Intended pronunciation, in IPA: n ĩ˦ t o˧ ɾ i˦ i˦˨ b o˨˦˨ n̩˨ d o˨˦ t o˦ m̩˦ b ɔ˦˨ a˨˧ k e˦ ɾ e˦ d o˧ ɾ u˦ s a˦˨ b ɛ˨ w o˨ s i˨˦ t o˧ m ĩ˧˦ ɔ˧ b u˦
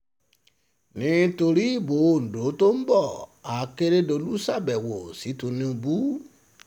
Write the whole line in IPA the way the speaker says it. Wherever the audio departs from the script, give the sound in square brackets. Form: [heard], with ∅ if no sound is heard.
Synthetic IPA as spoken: n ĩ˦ t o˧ ɾ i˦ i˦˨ b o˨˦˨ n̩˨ d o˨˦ t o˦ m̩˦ b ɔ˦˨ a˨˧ k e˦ ɾ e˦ d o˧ [l] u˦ s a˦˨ b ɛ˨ w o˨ s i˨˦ t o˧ [n] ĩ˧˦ [o˧] b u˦